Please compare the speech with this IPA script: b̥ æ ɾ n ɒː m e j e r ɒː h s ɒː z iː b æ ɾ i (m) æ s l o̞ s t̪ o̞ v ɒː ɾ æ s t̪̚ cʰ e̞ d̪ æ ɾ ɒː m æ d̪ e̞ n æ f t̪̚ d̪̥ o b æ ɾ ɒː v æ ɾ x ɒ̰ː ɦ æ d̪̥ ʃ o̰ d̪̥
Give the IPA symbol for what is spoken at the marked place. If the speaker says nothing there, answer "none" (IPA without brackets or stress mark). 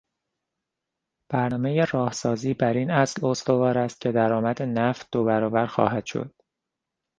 n